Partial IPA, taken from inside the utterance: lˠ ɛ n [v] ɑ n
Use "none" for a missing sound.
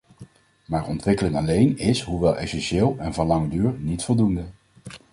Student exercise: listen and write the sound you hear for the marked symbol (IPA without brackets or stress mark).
v